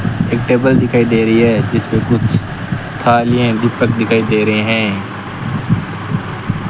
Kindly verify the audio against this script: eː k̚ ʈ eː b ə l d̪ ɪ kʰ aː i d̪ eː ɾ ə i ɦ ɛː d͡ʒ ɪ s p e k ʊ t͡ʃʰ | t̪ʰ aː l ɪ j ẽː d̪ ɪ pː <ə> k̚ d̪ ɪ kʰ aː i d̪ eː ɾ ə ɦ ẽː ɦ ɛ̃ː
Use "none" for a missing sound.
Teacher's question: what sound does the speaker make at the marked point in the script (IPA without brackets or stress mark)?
ə